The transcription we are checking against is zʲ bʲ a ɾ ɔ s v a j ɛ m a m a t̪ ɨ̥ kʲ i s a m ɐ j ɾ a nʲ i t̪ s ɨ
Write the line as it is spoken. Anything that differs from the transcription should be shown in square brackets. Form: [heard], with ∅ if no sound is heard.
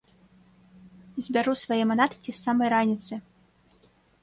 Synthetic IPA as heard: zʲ bʲ a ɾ [u] s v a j ɛ m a [n] a t̪ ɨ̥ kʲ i s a m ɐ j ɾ a nʲ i t̪ s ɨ